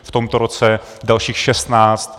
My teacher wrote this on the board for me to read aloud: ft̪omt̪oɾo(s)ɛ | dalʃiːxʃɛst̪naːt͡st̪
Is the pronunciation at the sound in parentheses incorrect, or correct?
incorrect